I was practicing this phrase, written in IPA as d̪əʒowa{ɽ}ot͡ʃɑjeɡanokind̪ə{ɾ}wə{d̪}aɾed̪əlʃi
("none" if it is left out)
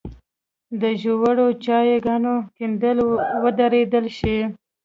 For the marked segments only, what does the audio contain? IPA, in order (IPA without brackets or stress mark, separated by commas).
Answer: ɽ, l, d̪